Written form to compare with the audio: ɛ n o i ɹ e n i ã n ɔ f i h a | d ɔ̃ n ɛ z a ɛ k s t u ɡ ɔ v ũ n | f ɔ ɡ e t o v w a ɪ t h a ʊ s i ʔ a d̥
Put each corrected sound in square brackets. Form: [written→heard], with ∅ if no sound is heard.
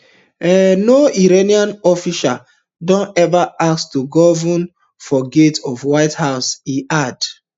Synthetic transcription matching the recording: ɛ n o i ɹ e n i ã n ɔ f i [h→ʃ] a | d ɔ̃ n ɛ [z→v] a [ɛ→a] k s t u ɡ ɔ v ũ n | f ɔ ɡ e t [o→ɔ] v w a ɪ t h a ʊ s i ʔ a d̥